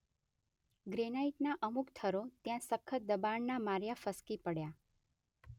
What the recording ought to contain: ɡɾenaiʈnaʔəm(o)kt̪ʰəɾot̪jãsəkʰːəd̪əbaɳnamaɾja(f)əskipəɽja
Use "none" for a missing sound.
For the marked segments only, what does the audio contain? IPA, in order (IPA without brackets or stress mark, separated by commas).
u, f